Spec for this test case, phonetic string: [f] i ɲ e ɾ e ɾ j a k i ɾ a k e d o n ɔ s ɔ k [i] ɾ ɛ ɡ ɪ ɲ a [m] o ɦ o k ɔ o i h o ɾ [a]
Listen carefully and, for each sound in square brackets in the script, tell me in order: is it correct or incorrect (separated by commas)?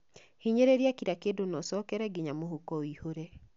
incorrect, incorrect, correct, incorrect